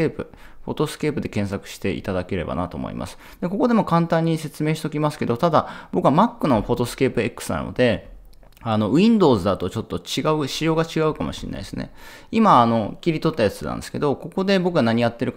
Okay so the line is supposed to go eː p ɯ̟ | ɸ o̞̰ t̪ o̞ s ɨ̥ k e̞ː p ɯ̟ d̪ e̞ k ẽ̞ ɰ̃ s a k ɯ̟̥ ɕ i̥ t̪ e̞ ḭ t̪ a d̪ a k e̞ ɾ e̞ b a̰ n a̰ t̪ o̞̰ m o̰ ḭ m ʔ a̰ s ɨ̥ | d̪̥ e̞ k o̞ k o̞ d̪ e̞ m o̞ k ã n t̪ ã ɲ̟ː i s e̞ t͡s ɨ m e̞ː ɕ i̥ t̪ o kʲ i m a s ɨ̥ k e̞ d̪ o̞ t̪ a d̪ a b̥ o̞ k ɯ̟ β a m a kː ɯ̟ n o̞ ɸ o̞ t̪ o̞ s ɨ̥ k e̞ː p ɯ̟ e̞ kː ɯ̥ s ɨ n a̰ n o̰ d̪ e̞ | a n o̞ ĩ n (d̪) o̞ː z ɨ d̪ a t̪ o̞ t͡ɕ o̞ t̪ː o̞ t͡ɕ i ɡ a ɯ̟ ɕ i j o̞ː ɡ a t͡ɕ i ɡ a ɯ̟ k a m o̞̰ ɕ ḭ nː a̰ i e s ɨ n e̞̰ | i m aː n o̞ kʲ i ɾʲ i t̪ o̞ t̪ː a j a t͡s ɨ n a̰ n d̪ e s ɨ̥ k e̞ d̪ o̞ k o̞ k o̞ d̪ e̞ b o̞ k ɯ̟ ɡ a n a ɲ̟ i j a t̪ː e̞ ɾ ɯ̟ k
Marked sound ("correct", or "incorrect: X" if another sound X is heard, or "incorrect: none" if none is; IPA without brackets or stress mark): correct